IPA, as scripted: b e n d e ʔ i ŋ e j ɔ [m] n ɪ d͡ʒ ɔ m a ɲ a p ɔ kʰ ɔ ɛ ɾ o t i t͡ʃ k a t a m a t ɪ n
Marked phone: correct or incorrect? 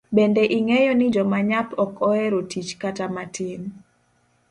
incorrect